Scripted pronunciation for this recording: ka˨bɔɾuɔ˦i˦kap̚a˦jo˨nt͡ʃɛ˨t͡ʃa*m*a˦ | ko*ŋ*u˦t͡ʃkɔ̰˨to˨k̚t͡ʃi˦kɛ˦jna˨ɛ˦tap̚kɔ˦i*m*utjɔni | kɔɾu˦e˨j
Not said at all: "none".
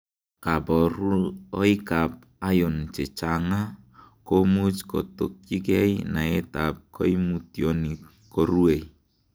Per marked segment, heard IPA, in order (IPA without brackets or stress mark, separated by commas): ŋ, m, m